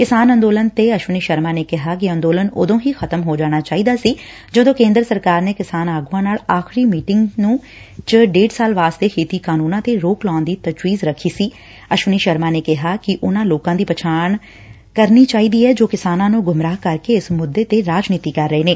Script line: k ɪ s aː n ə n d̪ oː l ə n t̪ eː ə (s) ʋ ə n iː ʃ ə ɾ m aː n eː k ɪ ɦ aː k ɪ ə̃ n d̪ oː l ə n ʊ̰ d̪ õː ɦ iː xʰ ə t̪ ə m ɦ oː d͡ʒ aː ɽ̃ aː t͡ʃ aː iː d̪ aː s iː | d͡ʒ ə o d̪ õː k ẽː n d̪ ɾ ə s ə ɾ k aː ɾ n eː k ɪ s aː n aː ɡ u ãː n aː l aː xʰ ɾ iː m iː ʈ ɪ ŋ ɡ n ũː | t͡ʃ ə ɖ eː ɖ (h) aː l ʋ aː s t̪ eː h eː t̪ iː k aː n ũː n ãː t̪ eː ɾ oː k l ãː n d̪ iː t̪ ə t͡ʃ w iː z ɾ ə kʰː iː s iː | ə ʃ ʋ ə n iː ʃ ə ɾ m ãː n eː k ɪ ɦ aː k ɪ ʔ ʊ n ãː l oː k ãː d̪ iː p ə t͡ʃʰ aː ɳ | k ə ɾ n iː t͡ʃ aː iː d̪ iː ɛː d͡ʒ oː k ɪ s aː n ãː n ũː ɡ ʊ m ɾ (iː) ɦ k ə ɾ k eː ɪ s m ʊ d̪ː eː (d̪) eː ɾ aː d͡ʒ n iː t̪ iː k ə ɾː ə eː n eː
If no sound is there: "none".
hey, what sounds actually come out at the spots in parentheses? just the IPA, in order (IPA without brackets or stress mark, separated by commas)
ʃ, s, aː, t̪